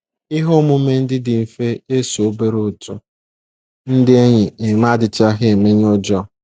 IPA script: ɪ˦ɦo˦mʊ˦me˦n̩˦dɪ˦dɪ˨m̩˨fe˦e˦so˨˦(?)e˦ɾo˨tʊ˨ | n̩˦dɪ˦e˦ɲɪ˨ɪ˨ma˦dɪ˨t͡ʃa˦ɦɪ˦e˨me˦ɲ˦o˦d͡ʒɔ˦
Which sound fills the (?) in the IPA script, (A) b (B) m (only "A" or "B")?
A